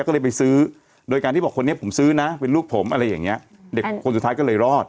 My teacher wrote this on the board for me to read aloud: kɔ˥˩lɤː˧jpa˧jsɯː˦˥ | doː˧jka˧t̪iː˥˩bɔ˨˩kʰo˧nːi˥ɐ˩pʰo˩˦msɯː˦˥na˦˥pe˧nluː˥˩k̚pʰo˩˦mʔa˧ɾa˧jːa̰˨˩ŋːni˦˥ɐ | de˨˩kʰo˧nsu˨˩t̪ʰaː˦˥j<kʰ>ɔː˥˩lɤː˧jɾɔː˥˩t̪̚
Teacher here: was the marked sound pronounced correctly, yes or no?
no